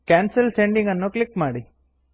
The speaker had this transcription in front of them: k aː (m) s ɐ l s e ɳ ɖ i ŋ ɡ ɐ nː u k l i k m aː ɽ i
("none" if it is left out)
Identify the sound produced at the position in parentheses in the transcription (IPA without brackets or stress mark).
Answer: n